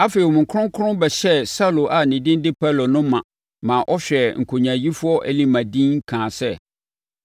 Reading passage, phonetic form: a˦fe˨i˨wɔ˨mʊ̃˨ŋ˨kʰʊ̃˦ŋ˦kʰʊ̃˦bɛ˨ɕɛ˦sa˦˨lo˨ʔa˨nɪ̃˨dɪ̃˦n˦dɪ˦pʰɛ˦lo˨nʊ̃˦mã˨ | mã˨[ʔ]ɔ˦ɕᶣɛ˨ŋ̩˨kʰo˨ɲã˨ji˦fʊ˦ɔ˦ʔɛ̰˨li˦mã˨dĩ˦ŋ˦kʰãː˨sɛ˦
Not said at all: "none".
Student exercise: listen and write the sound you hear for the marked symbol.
ʔ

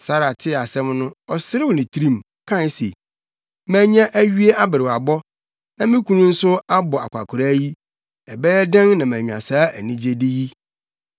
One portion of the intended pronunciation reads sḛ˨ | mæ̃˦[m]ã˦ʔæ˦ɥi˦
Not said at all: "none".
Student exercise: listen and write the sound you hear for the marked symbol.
ɲ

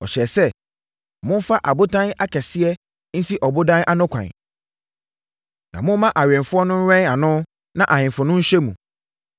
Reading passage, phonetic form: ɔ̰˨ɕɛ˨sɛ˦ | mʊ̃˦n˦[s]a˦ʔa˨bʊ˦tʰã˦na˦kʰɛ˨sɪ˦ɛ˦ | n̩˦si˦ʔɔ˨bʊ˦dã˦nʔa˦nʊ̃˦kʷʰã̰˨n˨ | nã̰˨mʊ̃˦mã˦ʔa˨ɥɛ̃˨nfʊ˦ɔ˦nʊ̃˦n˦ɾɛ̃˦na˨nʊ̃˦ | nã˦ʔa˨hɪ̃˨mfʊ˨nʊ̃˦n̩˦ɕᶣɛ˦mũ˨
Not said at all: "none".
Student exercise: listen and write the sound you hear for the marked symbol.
f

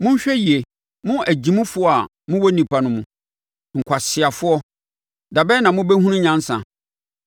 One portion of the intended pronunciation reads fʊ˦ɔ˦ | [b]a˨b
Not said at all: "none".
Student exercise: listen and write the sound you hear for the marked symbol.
d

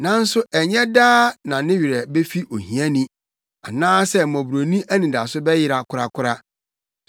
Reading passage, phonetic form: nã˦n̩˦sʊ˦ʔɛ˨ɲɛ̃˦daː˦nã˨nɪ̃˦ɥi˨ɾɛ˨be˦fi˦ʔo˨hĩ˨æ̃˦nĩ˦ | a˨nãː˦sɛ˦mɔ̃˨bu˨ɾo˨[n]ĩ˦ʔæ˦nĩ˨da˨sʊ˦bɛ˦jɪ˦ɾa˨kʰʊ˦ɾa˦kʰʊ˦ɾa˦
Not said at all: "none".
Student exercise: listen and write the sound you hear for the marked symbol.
n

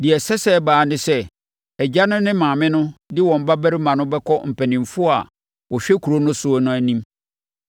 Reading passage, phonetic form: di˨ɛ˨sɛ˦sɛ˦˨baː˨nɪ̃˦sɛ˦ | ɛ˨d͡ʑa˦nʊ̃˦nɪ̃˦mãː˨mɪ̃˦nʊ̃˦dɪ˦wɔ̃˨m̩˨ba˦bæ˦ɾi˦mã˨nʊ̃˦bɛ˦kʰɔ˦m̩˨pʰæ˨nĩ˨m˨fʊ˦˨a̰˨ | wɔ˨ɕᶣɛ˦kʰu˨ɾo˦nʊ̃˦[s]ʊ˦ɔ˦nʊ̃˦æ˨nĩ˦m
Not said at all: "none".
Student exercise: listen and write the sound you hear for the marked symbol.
s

